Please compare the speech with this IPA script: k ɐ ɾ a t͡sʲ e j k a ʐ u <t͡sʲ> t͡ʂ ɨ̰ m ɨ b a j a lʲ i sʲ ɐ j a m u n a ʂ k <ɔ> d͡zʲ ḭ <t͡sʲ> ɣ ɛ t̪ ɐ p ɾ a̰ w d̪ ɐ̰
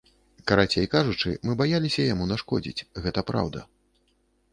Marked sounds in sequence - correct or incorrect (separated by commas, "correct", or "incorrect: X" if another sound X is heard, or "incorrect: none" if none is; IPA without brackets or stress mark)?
incorrect: none, correct, correct